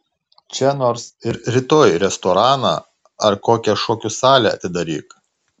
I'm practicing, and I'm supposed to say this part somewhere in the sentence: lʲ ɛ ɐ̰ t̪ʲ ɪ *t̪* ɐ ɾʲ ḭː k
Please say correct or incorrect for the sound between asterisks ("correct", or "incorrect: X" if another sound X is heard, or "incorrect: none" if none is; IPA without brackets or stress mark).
incorrect: d̪